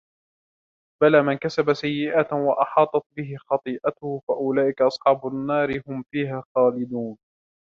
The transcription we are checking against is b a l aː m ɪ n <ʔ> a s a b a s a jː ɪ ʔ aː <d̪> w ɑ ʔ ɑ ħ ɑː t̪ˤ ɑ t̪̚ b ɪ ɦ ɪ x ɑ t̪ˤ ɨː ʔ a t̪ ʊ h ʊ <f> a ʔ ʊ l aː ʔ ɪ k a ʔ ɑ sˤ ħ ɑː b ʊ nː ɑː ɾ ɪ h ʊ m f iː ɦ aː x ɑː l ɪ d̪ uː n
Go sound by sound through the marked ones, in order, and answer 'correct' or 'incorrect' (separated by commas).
incorrect, incorrect, correct